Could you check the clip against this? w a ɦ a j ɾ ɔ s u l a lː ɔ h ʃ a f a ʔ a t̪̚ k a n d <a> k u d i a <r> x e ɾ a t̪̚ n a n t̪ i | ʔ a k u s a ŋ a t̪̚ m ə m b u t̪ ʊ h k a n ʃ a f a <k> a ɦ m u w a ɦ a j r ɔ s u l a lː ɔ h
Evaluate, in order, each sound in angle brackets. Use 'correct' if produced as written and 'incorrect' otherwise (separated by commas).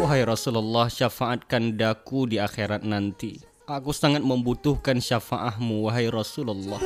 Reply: correct, incorrect, incorrect